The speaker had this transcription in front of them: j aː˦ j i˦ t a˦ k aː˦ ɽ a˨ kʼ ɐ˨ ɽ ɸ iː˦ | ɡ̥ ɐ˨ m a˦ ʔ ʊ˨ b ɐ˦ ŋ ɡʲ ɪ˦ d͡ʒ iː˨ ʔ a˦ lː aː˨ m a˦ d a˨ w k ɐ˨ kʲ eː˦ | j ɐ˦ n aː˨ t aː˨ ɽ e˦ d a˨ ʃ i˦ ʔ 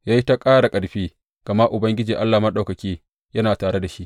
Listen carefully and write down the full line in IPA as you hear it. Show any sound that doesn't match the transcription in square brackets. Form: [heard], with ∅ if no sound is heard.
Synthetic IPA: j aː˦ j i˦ t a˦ [kʼ] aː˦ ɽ a˨ kʼ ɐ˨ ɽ ɸ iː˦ | ɡ̥ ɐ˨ m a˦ ʔ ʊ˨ b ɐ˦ ŋ ɡʲ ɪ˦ d͡ʒ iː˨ ʔ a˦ lː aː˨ m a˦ [ɗ] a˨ w k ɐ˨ kʲ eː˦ | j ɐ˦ n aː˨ t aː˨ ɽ e˦ d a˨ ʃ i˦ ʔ